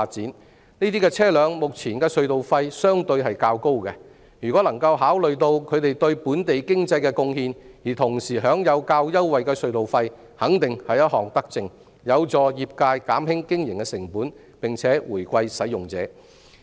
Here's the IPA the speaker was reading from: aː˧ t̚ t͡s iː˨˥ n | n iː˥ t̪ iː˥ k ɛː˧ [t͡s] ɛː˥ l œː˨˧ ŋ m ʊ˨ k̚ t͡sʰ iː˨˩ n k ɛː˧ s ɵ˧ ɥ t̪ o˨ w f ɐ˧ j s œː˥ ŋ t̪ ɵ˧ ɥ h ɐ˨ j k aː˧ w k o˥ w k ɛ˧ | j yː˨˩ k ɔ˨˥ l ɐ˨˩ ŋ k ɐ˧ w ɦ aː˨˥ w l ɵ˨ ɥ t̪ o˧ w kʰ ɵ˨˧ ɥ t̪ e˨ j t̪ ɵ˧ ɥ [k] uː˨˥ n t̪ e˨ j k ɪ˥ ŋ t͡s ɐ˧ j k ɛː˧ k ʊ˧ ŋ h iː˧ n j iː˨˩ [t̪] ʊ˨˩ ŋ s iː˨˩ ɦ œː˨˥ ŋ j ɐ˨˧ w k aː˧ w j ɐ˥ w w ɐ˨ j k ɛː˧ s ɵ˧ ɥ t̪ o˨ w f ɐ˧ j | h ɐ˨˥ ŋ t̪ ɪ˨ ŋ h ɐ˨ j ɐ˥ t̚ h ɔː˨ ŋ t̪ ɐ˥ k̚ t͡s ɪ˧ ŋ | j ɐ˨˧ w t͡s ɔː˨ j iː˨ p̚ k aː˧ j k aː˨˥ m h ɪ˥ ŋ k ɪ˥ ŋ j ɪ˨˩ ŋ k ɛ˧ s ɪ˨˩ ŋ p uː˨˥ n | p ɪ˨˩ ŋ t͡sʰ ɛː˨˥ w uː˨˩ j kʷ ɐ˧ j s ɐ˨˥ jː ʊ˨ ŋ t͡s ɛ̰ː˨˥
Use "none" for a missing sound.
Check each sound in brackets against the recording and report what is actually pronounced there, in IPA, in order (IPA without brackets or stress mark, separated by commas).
t͡sʰ, p, t̪ʰ